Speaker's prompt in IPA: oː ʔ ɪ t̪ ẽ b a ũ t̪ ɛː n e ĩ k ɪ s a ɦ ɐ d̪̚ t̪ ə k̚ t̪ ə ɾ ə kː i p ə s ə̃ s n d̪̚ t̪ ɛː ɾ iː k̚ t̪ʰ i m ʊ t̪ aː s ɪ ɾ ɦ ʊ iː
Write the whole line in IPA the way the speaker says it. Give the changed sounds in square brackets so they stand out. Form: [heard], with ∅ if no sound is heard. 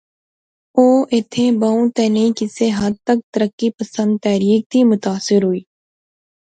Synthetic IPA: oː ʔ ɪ [t̪ʰ] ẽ b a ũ t̪ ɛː n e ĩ k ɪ s [e] ɦ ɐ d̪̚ t̪ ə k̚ t̪ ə ɾ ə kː i p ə s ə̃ [∅] n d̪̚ t̪ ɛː ɾ iː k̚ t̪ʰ i m ʊ t̪ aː s ɪ ɾ ɦ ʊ iː

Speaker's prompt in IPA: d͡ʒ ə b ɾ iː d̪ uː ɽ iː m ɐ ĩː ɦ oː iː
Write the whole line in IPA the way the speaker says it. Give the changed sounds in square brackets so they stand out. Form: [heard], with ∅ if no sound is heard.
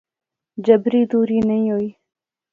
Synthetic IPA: d͡ʒ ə b ɾ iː d̪ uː [ɾ] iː [n] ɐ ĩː ɦ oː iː

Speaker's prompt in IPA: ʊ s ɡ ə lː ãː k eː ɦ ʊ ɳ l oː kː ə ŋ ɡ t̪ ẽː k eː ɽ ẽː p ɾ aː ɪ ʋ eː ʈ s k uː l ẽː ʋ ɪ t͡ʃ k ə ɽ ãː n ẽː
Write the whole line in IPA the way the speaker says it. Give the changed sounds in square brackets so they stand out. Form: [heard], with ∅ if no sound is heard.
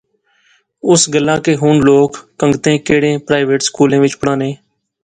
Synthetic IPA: ʊ s ɡ ə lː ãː k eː ɦ ʊ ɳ l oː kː ə ŋ ɡ t̪ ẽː k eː ɽ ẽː p ɾ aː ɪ ʋ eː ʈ s k uː l ẽː ʋ ɪ t͡ʃ [p] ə ɽ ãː n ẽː

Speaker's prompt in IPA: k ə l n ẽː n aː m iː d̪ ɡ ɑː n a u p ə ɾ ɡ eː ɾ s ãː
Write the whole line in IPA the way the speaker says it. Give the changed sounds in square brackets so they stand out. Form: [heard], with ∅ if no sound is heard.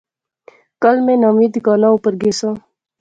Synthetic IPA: k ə l [m] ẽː n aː m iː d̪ ɡ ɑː n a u p ə ɾ ɡ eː [∅] s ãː

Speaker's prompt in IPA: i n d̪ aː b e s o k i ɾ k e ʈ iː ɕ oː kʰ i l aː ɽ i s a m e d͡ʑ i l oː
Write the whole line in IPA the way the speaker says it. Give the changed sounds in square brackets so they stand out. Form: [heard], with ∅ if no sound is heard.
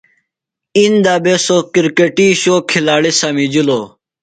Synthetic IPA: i n d̪ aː b e s o k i ɾ k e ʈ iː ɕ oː kʰ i l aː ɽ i s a m [i] d͡ʑ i l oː

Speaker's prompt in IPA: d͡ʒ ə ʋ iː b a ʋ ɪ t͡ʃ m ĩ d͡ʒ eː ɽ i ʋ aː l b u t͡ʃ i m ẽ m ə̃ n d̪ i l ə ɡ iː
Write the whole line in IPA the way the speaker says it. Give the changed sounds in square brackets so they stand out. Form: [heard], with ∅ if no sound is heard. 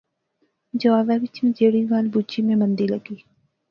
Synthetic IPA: d͡ʒ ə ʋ [aː] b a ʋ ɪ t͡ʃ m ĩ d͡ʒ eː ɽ i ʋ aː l b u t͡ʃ i m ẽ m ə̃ n d̪ i l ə ɡ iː

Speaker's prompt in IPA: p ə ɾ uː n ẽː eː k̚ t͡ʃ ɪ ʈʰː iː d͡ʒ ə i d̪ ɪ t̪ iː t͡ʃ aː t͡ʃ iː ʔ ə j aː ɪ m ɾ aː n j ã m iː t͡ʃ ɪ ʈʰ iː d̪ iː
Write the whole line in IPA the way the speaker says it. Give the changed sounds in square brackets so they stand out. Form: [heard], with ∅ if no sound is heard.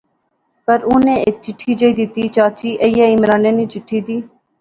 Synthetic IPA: p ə ɾ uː n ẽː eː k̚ t͡ʃ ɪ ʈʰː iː d͡ʒ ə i d̪ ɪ t̪ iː t͡ʃ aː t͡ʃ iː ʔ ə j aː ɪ m ɾ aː n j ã [n] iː t͡ʃ ɪ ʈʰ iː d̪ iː

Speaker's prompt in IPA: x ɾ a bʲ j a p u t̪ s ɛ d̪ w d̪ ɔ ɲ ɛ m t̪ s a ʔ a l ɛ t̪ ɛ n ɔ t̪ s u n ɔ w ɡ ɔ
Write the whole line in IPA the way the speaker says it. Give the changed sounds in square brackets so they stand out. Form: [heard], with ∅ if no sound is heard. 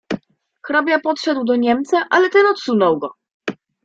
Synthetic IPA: x ɾ a bʲ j a p [ɔ] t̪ [ʂ] ɛ d̪ w d̪ ɔ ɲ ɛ m t̪ s a ʔ a l ɛ t̪ ɛ n ɔ t̪ s u n ɔ w ɡ ɔ

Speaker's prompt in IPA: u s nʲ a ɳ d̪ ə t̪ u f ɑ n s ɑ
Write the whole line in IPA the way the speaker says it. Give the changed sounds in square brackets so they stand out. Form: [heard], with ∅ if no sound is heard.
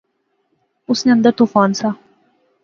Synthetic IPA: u s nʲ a [n] d̪ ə t̪ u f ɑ n s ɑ

